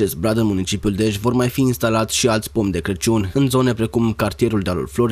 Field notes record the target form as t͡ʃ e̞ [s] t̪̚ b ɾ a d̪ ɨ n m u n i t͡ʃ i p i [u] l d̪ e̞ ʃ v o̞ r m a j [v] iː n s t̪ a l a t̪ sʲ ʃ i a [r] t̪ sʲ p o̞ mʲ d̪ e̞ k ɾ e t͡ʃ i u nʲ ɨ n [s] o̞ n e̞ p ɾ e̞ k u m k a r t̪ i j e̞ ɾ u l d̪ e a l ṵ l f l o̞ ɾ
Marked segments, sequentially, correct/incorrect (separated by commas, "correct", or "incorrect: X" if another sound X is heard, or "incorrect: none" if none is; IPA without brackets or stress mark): correct, correct, incorrect: f, incorrect: l, incorrect: z